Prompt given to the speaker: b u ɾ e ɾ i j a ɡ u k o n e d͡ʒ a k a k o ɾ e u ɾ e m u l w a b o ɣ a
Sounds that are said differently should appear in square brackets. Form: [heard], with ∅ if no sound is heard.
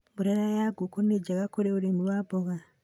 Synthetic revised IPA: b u ɾ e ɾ [a] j a ɡ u k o n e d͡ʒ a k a k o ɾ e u ɾ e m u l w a b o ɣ a